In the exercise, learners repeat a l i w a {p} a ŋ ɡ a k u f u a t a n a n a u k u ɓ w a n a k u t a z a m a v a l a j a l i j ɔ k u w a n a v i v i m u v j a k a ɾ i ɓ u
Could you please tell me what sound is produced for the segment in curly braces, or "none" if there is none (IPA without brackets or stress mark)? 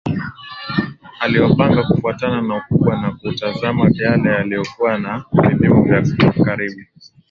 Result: p